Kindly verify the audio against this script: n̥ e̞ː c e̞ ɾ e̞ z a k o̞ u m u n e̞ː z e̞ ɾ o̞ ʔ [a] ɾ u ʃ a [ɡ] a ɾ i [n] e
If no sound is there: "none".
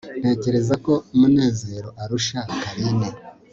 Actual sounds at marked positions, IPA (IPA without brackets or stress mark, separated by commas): a, k, n